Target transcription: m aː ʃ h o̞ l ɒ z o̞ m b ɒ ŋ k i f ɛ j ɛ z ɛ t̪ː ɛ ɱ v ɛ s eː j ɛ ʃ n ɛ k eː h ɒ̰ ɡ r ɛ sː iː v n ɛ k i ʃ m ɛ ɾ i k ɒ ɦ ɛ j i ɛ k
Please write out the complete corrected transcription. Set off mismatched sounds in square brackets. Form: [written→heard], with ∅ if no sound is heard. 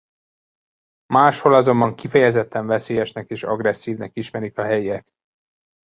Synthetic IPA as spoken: m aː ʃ h o̞ l ɒ z o̞ m b ɒ ŋ k i f ɛ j ɛ z ɛ t̪ː ɛ ɱ v ɛ s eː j ɛ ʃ n ɛ k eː [h→ʃ] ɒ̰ ɡ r ɛ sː iː v n ɛ k i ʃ m ɛ ɾ i k ɒ ɦ ɛ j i ɛ k